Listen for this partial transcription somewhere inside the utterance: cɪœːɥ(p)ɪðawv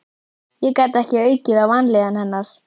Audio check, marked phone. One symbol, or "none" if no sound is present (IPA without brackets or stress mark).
c